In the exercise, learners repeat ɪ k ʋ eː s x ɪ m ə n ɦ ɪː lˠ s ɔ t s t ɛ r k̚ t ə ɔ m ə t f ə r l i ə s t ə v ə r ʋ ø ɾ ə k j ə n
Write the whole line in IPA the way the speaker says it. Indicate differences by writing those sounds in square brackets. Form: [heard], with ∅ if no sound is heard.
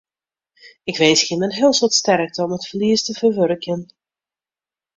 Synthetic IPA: ɪ k ʋ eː s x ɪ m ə n ɦ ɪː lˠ s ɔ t s t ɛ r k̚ t ə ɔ m ə t f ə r l i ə s t ə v ə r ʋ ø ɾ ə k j ə n